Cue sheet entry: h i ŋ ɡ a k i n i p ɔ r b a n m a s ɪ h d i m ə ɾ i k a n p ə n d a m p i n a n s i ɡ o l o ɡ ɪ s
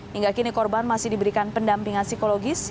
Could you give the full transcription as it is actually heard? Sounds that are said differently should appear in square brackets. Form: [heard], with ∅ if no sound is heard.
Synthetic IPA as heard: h i ŋ ɡ a k i n i [k] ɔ r b a n m a s ɪ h d i [b] ə ɾ i k a n p ə n d a m p i [ŋ] a n s i [k] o l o ɡ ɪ s